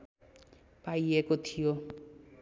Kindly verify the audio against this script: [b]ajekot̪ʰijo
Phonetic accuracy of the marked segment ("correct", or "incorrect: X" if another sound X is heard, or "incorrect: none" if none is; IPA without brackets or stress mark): incorrect: p